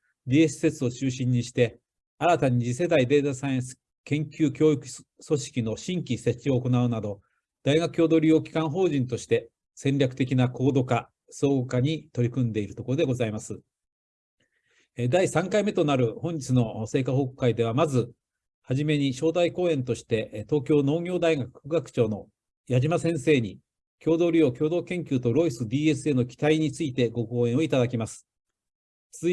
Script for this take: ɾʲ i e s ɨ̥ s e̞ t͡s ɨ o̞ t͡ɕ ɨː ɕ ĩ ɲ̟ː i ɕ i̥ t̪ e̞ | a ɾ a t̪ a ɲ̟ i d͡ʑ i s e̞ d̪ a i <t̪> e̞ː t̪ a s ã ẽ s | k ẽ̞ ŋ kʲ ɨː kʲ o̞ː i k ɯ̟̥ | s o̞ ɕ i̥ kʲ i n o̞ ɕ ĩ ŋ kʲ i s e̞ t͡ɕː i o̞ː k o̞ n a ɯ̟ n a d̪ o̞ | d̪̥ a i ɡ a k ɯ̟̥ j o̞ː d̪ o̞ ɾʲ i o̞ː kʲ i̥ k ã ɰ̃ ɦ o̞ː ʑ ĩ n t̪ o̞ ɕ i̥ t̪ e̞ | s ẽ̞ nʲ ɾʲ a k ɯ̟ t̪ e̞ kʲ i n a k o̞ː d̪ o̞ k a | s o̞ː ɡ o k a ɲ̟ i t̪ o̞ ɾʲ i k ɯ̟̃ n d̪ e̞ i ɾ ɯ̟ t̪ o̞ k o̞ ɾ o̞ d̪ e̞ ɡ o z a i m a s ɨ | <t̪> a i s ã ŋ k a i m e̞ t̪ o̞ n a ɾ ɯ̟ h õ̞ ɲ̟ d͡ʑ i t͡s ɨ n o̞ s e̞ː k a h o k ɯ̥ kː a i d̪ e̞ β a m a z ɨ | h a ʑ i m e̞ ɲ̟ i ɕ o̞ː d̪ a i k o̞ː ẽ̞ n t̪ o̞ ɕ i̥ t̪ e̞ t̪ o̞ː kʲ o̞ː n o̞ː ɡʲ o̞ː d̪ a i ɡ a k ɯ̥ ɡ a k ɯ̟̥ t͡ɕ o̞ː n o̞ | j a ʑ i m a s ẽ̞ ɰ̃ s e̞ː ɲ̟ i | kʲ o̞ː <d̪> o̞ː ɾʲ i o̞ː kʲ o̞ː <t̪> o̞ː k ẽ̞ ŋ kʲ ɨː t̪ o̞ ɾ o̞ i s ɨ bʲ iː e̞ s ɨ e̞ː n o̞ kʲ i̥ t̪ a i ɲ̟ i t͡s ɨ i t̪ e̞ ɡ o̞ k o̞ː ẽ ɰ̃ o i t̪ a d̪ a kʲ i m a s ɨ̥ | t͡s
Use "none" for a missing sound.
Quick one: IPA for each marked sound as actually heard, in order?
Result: d̪, d̪, d̪, d̪

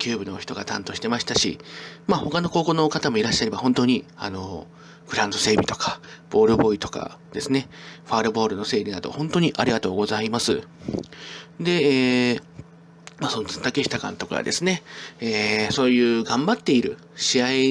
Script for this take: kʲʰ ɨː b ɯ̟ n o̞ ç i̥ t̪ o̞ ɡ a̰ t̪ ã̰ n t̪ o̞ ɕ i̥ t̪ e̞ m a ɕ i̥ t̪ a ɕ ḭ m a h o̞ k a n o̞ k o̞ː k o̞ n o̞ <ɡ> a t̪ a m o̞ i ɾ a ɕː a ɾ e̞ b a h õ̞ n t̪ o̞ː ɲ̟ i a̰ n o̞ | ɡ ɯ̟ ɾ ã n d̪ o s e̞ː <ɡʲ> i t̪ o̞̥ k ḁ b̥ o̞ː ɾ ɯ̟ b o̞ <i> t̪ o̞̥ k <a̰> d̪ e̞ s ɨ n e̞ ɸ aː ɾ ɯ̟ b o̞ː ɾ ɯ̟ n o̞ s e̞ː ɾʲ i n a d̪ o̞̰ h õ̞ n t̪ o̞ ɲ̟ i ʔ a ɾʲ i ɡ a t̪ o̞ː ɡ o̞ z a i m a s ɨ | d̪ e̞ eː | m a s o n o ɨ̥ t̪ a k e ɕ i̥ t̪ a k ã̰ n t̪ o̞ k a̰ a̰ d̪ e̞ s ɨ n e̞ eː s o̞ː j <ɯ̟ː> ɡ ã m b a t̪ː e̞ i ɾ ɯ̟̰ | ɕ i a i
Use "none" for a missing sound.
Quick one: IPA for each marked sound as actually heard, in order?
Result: k, bʲ, i, a̰, ɯ̟ː

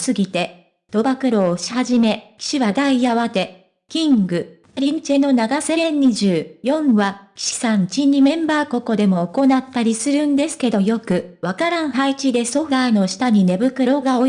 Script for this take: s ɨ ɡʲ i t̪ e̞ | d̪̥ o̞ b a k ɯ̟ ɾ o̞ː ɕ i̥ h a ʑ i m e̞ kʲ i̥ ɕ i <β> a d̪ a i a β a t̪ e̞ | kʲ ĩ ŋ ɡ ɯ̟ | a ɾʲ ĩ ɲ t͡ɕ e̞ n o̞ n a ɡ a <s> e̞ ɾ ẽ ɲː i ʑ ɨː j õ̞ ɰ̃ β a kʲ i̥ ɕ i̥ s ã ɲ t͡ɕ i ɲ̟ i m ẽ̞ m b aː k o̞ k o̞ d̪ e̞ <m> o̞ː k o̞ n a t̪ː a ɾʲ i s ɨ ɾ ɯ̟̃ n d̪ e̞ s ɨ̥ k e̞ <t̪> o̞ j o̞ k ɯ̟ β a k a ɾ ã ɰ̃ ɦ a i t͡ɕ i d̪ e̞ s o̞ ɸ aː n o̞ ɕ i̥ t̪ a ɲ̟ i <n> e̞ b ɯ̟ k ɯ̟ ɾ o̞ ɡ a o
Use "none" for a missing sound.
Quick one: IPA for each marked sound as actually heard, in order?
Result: β, s, m, d̪, n

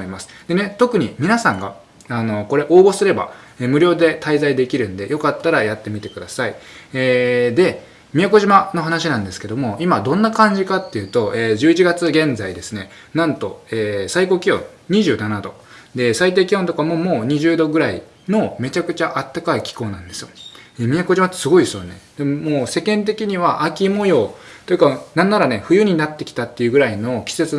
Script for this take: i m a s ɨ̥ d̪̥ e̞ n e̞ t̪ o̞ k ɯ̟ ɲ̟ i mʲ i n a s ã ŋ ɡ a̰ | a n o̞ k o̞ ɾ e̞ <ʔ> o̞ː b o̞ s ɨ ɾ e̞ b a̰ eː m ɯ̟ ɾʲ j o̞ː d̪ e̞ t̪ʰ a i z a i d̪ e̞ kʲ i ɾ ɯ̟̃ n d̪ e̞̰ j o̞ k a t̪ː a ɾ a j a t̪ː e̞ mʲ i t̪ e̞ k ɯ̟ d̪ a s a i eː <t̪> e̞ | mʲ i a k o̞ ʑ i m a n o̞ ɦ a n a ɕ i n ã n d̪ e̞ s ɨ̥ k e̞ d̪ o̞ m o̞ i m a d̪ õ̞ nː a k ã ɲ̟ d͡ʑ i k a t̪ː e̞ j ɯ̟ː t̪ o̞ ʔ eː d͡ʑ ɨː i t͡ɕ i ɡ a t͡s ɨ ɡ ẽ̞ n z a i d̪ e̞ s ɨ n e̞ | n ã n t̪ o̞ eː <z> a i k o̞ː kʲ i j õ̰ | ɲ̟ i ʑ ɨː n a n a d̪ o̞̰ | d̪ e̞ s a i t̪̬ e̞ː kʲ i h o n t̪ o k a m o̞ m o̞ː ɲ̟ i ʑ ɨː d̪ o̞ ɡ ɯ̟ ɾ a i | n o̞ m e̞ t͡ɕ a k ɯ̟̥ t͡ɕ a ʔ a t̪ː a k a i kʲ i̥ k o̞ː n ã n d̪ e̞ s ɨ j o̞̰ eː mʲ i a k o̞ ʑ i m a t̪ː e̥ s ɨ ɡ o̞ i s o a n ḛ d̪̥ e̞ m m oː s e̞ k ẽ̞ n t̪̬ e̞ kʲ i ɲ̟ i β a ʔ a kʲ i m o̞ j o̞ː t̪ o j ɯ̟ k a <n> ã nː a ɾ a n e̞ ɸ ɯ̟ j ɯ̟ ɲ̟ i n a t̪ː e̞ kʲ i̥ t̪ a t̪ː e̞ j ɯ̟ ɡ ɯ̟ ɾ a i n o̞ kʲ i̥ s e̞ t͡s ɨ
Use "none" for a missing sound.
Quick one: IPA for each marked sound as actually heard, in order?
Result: ʔ, d̪, s, n

